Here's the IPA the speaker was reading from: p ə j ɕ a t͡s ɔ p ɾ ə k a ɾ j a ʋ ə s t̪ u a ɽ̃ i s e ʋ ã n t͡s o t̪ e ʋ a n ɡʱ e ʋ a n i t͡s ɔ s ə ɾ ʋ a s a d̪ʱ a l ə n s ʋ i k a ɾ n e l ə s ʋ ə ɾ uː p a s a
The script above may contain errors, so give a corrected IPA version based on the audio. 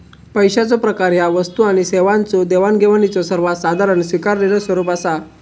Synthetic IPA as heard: p ə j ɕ a t͡s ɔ p ɾ ə k a ɾ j a ʋ ə s t̪ u a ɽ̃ i s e ʋ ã n t͡s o d̪ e ʋ a n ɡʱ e ʋ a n i t͡s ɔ s ə ɾ ʋ a s a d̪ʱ a ɾ ə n s ʋ i k a ɾ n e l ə s ʋ ə ɾ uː p a s a